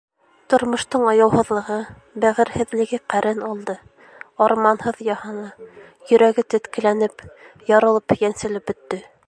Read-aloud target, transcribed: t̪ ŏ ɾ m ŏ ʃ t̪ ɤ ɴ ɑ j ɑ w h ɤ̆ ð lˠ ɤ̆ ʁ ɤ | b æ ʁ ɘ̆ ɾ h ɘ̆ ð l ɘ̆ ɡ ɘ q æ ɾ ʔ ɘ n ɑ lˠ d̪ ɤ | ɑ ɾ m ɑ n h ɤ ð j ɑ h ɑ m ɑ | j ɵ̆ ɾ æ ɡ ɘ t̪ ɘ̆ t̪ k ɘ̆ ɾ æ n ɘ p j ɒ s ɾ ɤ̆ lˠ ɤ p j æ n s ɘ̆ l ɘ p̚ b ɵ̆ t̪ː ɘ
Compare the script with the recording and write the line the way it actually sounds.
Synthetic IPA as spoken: t̪ ŏ ɾ m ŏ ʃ t̪ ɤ ɴ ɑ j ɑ w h ɤ̆ ð lˠ ɤ̆ ʁ ɤ | b æ ʁ ɘ̆ ɾ h ɘ̆ ð l ɘ̆ ɡ ɘ q æ ɾ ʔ ɘ n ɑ lˠ d̪ ɤ | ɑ ɾ m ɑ n h ɤ ð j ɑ h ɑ n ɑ | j ɵ̆ ɾ æ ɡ ɘ t̪ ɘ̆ t̪ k ɘ̆ l æ n ɘ p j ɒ ɾ ɤ̆ lˠ ɤ p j æ n s ɘ̆ l ɘ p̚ b ɵ̆ t̪ː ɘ